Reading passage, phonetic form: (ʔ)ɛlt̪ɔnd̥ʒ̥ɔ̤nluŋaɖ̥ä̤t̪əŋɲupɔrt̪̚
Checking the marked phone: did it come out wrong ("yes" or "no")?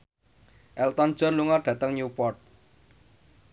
no